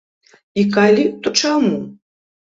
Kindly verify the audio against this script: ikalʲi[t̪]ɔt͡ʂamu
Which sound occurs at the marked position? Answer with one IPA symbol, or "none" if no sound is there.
t̪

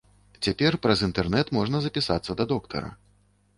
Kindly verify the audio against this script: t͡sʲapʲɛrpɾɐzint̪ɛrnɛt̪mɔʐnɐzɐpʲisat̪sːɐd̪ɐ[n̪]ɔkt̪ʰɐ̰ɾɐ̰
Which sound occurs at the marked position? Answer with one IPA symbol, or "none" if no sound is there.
d̪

